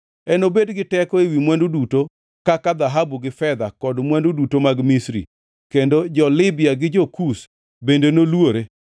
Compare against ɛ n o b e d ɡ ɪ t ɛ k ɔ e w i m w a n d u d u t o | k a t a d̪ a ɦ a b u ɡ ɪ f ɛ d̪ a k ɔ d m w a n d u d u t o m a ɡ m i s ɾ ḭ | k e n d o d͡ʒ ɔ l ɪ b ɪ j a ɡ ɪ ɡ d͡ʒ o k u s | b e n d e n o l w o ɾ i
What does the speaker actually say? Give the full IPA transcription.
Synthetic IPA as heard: ɛ n o b e d ɡ ɪ t ɛ k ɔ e w i m w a n d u d u t o | k a k a d̪ a ɦ a b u ɡ ɪ f ɛ d̪ a k ɔ d m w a n d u d u t o m a ɡ m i s ɾ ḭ | k e n d o d͡ʒ ɔ l ɪ b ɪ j a ɡ ɪ d͡ʒ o k u s | b e n d e n o l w o ɾ e